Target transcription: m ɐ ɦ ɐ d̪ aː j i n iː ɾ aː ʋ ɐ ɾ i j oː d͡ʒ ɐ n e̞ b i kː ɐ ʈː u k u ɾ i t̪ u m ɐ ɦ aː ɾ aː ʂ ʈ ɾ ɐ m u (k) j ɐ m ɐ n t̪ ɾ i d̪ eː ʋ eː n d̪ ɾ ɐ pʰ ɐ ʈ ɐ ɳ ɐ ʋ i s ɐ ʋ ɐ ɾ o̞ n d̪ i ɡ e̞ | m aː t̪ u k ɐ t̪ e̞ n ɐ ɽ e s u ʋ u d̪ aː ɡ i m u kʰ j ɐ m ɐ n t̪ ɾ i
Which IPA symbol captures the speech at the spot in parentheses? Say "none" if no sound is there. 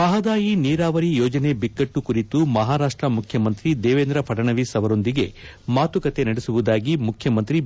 kʰ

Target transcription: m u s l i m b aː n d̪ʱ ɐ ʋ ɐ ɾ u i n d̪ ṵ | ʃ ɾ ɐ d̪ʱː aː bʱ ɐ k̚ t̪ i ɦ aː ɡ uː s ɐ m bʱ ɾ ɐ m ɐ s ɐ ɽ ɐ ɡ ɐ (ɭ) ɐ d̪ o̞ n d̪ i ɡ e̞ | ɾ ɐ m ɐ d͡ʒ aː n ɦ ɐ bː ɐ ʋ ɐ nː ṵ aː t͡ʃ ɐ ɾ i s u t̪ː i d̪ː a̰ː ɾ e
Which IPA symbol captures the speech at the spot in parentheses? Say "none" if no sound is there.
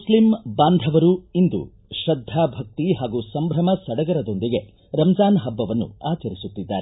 ɾ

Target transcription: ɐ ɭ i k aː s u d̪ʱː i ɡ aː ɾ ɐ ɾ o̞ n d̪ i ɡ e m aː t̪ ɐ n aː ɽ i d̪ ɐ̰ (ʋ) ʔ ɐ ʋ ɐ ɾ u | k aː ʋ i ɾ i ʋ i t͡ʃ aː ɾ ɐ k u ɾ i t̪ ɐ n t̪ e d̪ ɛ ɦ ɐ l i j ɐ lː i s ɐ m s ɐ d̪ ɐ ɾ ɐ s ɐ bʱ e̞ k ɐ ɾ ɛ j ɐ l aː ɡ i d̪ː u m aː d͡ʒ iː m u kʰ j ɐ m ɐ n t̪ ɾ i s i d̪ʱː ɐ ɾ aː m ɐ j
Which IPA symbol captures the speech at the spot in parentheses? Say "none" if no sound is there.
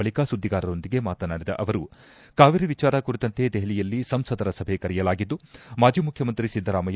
none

